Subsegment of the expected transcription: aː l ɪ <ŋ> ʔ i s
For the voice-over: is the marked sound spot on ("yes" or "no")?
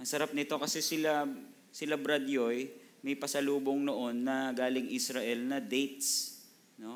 yes